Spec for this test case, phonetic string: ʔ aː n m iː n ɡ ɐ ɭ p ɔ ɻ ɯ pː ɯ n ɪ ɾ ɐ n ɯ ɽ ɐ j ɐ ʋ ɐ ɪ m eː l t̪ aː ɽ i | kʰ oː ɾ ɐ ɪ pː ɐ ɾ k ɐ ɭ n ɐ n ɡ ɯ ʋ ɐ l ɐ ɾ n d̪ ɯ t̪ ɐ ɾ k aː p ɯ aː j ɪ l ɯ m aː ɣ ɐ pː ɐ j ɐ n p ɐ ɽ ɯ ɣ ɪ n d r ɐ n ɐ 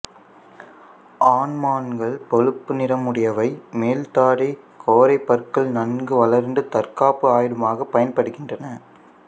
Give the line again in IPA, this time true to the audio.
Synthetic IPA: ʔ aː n m aː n ɡ ɐ ɭ p ɔ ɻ ɯ pː ɯ n ɪ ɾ ɐ m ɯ ɽ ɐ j ɐ ʋ ɐ ɪ m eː l t̪ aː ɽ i | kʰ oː ɾ ɐ ɪ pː ɐ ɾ k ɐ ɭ n ɐ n ɡ ɯ ʋ ɐ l ɐ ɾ n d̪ ɯ t̪ ɐ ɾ k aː p ɯ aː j ɪ ɽ ɯ m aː ɣ ɐ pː ɐ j ɐ n p ɐ ɽ ɯ ɣ ɪ n d r ɐ n ɐ